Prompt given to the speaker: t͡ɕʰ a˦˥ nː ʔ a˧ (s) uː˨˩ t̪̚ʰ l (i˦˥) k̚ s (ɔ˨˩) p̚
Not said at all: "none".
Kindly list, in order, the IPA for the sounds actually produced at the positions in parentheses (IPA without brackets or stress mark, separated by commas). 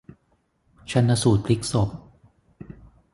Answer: s, i˦˥, o˨˩